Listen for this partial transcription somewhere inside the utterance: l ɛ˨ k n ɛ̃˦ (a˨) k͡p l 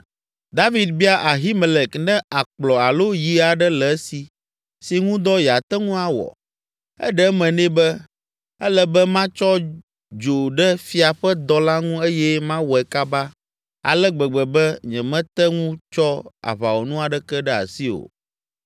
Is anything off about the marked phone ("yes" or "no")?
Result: no